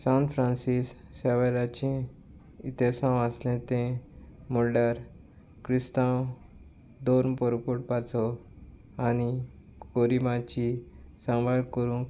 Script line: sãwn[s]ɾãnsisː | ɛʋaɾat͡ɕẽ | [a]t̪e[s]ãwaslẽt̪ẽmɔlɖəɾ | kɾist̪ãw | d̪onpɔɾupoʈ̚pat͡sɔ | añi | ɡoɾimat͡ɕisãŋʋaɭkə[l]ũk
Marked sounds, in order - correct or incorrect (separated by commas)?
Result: incorrect, incorrect, correct, incorrect